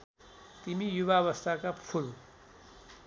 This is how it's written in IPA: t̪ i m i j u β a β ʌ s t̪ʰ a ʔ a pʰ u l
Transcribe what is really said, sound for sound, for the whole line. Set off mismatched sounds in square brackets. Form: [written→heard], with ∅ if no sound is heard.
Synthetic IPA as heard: t̪ i m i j u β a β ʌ s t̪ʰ a [ʔ→k] a pʰ u l